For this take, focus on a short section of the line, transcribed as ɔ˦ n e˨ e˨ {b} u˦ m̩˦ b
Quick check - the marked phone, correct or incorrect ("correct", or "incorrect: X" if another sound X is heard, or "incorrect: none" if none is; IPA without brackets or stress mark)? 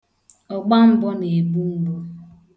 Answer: correct